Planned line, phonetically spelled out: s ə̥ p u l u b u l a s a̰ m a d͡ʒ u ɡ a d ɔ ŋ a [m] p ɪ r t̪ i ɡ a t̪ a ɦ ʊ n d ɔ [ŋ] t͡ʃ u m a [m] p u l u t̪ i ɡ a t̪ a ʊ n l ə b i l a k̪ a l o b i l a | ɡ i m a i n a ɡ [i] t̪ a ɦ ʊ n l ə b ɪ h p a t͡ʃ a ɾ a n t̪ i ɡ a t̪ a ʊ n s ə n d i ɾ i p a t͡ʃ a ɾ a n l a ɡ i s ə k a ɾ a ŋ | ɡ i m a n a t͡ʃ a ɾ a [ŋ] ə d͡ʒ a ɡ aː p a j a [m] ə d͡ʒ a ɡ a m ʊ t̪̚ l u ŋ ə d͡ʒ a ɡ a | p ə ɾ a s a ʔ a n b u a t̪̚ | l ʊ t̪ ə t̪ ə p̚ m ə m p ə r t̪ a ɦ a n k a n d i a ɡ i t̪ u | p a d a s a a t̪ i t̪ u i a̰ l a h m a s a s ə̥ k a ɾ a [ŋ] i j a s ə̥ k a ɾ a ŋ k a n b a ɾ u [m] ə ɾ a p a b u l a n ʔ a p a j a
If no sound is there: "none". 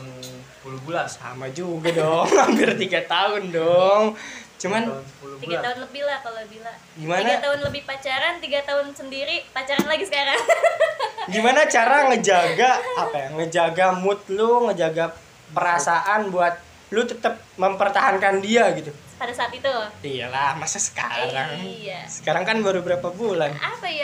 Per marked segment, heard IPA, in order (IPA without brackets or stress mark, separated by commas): m, ŋ, n, a, ŋ, ŋ, ŋ, b